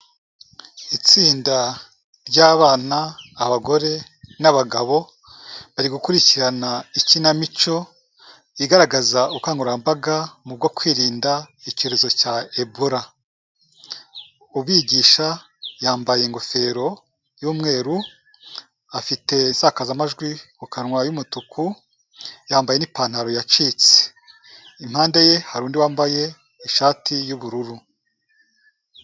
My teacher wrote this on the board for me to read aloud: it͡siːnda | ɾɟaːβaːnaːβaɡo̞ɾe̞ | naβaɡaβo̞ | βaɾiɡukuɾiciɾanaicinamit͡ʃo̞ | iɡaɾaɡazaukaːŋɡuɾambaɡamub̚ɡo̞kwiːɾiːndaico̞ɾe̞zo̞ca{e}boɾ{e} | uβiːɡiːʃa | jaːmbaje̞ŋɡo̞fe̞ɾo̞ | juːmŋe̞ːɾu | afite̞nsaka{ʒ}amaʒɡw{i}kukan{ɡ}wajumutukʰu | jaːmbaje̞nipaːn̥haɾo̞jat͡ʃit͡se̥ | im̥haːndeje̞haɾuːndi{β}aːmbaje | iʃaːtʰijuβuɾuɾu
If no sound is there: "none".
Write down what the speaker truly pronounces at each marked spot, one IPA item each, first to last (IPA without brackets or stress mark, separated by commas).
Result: e, a, z, i, ŋ, w